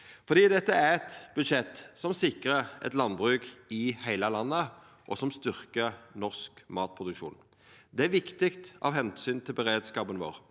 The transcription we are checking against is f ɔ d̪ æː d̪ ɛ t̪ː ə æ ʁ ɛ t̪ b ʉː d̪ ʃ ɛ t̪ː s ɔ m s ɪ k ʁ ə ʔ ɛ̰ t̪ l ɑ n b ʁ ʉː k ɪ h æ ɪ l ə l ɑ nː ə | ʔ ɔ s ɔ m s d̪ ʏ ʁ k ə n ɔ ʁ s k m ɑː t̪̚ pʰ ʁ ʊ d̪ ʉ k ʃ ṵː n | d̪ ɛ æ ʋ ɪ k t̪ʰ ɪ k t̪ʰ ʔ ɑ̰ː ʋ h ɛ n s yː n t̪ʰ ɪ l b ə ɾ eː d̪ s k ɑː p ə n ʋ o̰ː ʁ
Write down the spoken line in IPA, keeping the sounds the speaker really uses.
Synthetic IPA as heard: f ɔ d̪ iː d̪ ɛ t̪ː ə æ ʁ ɛ t̪ b ʉ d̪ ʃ ɛ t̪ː s ɔ m s ɪ k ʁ ə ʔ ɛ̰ t̪ l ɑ n b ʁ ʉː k ɪ h æ ɪ l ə l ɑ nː ə | ʔ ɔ s ɔ m s t̪ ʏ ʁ k ə n ɔ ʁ s k m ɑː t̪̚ pʰ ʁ ʊ d̪ ʉ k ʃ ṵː n | d̪ ɛ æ ʋ ɪ k t̪ ɪ k t̪ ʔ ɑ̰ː ʋ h ɛ n s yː n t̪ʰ ɪ l b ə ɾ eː d̪ s k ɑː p ə n ʋ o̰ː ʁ